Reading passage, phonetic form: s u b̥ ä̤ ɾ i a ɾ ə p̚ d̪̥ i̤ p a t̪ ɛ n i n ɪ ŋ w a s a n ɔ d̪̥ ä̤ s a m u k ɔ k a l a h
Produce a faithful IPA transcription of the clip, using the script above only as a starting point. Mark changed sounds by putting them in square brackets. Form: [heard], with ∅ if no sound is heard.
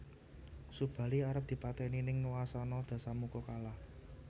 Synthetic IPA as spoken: s u b̥ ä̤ [l] i a ɾ ə p̚ d̪̥ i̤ p a t̪ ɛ n i n ɪ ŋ w a s a n ɔ d̪̥ ä̤ s a m u k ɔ k a l a h